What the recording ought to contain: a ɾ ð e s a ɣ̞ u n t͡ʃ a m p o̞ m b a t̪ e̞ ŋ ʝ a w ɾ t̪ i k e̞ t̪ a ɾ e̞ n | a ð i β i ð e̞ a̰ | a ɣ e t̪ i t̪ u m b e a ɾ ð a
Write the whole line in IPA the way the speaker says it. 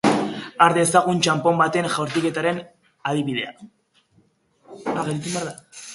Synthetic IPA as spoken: a ɾ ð e s a ɣ̞ u n t͡ʃ a m p o̞ m b a t̪ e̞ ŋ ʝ a w ɾ t̪ i k e̞ t̪ a ɾ e̞ n | a ð i β i ð e̞ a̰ | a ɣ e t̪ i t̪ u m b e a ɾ ð a

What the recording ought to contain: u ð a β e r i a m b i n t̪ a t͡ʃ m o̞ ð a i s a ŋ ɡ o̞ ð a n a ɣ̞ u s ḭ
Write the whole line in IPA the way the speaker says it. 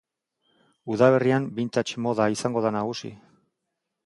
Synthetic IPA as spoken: u ð a β e r i a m b i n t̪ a t͡ʃ m o̞ ð a i s a ŋ ɡ o̞ ð a n a ɣ̞ u s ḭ

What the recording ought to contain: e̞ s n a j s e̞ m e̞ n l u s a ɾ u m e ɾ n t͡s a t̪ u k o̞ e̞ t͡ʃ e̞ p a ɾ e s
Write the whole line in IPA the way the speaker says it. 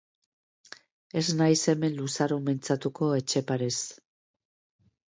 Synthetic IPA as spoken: e̞ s n a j s e̞ m e̞ n l u s a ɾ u m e n t͡s a t̪ u k o̞ e̞ t͡ʃ e̞ p a ɾ e s

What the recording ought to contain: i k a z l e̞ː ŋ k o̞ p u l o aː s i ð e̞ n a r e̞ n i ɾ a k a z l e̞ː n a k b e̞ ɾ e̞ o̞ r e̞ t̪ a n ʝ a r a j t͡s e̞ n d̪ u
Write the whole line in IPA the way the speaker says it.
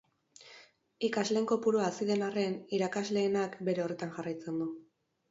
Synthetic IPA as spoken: i k a z l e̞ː ŋ k o̞ p u ɾ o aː s i ð e̞ n a r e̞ n i ɾ a k a z l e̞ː n a k b e̞ ɾ e̞ o̞ r e̞ t̪ a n ʝ a r a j t͡s e̞ n d̪ u

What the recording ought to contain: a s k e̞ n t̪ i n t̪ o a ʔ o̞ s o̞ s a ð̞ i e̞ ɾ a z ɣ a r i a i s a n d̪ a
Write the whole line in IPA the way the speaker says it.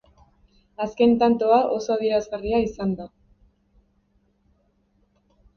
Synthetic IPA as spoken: a s k e̞ n t̪ a n t̪ o a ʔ o̞ s o̞ a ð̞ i e̞ ɾ a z ɣ a r i a i s a n d̪ a

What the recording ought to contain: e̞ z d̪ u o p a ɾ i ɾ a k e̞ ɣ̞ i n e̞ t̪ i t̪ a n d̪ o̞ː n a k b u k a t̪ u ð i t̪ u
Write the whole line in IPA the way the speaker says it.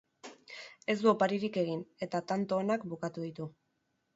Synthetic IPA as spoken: e̞ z d̪ u o p a ɾ i ɾ i k e̞ ɣ̞ i n e̞ t̪ a t̪ a n t̪ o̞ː n a k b u k a t̪ u ð i t̪ u

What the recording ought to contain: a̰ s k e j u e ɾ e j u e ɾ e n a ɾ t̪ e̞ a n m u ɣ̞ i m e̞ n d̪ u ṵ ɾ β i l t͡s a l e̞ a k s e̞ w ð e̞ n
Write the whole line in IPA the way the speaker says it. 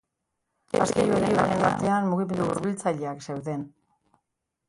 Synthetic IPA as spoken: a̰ s k e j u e ɾ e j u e ɾ e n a ɾ t̪ e̞ a n m u ɣ̞ i m e̞ n d̪ u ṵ ɾ β i l t͡s a ʎ e̞ a k s e̞ w ð e̞ n

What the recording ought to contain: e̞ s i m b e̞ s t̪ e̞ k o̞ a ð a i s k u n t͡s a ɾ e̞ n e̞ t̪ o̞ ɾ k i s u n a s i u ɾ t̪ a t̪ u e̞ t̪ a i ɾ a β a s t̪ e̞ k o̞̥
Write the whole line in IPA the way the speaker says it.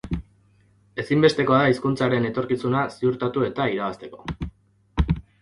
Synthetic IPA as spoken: e̞ s i m b e̞ s t̪ e̞ k o̞ a ð a i s k u n t͡s a ɾ e̞ n e̞ t̪ o̞ ɾ k i s u n a s i u ɾ t̪ a t̪ u e̞ t̪ a i ɾ a β a s t̪ e̞ k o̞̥

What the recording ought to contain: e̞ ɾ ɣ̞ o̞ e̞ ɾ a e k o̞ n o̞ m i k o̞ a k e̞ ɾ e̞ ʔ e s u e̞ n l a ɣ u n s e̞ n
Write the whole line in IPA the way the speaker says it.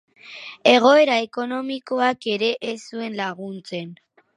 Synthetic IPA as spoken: e̞ ɣ̞ o̞ e̞ ɾ a e k o̞ n o̞ m i k o̞ a k e̞ ɾ e̞ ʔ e s u e̞ n l a ɣ u n t͡s e̞ n

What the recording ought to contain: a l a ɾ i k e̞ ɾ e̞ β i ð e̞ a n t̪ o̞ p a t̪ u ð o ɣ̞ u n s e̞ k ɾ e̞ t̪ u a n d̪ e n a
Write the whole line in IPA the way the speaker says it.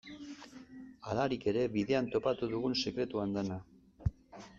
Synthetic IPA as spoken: a l a ɾ i k e̞ ɾ e̞ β i ð e̞ a n t̪ o̞ p a t̪ u ð u ɣ̞ u n s e̞ k ɾ e̞ t̪ u a n d̪ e n a

